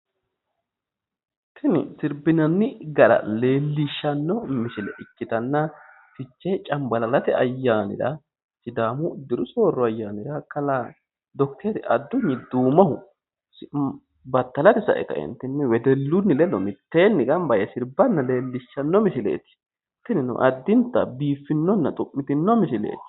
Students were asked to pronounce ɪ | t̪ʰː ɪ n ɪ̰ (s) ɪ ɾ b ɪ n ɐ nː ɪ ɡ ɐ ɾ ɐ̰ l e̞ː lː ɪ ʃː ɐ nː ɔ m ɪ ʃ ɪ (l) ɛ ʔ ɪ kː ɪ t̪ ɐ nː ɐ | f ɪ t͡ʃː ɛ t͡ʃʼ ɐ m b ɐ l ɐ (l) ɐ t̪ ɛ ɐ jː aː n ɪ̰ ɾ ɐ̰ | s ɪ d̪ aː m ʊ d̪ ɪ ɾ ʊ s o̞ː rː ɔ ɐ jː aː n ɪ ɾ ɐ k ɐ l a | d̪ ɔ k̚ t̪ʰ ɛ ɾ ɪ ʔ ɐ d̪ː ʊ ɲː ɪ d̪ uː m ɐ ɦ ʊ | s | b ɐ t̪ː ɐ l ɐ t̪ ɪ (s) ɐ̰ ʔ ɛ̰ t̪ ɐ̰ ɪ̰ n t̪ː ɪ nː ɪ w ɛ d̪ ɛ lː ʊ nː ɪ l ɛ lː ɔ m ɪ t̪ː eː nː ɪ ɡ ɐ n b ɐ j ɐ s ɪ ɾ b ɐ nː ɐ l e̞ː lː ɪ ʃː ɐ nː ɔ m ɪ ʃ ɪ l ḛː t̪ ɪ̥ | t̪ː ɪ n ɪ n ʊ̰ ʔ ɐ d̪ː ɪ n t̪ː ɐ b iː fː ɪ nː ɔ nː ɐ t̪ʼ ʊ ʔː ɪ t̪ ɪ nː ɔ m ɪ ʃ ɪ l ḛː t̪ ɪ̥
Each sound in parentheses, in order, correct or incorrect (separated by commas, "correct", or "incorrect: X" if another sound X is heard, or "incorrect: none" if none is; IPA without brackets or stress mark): correct, correct, correct, correct